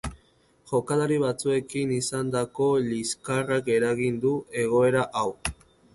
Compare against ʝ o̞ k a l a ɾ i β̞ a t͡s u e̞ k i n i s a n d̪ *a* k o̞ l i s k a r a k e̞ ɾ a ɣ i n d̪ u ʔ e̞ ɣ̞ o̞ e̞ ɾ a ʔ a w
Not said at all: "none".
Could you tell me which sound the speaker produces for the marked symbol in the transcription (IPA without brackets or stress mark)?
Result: a